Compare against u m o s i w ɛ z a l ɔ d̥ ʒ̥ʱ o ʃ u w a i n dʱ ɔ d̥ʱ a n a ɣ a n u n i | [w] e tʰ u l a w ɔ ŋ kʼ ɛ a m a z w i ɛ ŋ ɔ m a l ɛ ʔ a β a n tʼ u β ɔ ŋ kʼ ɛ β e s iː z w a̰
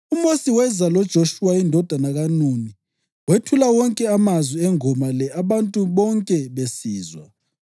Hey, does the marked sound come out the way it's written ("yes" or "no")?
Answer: yes